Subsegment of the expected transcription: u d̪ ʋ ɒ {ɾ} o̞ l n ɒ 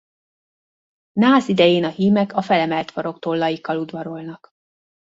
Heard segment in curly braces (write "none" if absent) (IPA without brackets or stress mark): ɾ